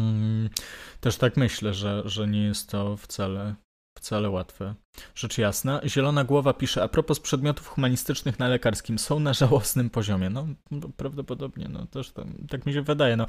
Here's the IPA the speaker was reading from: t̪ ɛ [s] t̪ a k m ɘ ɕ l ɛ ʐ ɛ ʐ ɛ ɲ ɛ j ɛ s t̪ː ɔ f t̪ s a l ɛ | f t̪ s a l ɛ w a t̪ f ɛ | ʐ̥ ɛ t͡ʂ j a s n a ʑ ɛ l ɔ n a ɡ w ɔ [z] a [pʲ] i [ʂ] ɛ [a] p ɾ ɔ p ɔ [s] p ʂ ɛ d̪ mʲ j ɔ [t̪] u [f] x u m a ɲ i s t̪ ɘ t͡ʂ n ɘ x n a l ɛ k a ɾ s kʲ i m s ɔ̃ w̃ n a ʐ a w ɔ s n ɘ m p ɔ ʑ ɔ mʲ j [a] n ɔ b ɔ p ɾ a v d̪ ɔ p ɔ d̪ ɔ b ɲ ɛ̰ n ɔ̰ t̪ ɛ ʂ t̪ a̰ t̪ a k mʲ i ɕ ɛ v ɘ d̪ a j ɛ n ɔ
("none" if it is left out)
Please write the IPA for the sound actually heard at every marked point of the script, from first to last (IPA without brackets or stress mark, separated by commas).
ʂ, v, pʲ, ʂ, a, s, t̪, f, ɛ